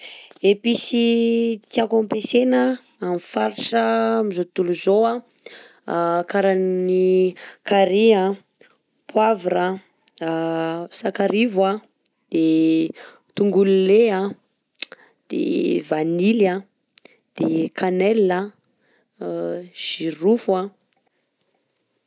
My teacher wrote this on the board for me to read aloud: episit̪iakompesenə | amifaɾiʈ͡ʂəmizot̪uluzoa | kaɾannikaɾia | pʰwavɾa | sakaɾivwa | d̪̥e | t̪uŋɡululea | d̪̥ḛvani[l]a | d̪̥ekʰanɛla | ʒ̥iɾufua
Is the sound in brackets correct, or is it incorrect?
correct